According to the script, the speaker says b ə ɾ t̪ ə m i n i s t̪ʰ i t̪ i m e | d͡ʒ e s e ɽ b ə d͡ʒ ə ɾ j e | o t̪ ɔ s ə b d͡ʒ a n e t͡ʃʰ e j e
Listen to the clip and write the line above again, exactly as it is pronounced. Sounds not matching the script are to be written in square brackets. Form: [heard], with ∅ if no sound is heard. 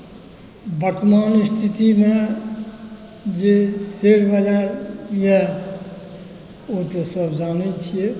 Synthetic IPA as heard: b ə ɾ t̪ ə m [a] n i s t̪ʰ i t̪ i m e | d͡ʒ e s e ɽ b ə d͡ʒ [a] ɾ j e | o t̪ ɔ s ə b d͡ʒ a n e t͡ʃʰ [i] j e